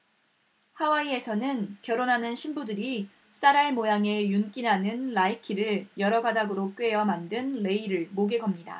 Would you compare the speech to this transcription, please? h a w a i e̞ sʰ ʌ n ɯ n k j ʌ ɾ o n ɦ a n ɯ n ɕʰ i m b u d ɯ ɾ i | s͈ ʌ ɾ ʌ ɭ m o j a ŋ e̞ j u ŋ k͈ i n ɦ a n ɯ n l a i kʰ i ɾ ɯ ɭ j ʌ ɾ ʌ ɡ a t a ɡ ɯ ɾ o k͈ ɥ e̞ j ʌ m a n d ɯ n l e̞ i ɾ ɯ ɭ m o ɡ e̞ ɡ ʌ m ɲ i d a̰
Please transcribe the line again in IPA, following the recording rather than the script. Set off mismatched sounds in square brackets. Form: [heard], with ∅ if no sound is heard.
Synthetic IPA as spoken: h a w a i e̞ sʰ ʌ n ɯ n k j ʌ ɾ o n ɦ a n ɯ n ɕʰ i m b u d ɯ ɾ i | s͈ [a] ɾ [a] ɭ m o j a ŋ e̞ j u [n] k͈ i n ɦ a n ɯ n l a i kʰ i ɾ ɯ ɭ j ʌ ɾ ʌ ɡ a [d] a ɡ ɯ ɾ o k͈ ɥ e̞ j ʌ m a n d ɯ n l e̞ i ɾ ɯ ɭ m o ɡ e̞ ɡ ʌ m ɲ i d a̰